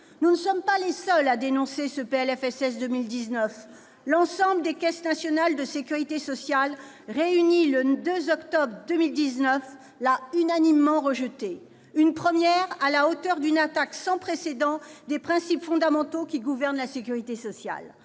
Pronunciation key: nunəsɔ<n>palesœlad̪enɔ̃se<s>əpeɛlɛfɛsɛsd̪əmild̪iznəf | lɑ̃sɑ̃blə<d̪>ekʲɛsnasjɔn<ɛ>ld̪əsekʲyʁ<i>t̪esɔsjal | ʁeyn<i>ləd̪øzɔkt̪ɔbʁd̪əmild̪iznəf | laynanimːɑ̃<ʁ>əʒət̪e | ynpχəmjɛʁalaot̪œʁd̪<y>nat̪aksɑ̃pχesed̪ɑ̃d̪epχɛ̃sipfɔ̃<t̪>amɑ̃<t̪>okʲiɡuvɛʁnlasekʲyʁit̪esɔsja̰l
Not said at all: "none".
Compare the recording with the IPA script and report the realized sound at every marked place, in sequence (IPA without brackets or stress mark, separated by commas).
m, s, d̪, a, i, i, ʁ, y, d̪, t̪